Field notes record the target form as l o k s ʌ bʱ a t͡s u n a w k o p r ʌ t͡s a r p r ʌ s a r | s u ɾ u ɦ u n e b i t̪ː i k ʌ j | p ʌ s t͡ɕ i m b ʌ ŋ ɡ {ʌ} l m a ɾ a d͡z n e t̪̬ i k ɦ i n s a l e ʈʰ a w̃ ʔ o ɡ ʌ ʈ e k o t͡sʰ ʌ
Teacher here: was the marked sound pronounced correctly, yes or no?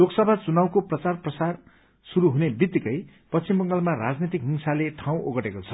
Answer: yes